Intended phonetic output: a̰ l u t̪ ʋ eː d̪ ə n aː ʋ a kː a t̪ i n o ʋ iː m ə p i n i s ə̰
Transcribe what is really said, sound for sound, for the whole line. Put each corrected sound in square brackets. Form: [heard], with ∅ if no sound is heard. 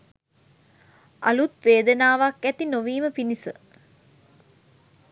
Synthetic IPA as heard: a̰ l u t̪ ʋ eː d̪ ə n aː ʋ a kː [æ] t̪ i n o ʋ iː m ə p i n i s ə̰